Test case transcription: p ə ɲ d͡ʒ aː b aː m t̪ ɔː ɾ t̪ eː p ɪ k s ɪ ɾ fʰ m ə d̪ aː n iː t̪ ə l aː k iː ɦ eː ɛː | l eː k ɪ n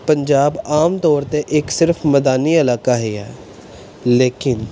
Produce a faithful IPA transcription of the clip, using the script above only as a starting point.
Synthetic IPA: p ə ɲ d͡ʒ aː b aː m t̪ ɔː ɾ t̪ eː ʔ ɪ k s ɪ ɾ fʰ m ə d̪ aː n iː ə l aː k aː ɦ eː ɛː | l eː k ɪ n